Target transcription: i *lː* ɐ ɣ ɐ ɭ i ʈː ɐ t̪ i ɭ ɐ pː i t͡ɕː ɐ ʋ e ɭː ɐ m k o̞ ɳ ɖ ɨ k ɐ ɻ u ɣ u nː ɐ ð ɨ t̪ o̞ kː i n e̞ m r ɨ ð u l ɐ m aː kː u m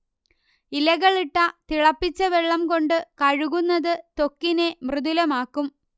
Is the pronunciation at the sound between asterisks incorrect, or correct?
incorrect